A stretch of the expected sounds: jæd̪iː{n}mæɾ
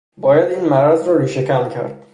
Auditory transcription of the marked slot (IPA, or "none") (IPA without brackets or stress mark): n